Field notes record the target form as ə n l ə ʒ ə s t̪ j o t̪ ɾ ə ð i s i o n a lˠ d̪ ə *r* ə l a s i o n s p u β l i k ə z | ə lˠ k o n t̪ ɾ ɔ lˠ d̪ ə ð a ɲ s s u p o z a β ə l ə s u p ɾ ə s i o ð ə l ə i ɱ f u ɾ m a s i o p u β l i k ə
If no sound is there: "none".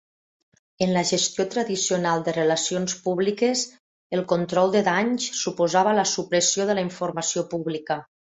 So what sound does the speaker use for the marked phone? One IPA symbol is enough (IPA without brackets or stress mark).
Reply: r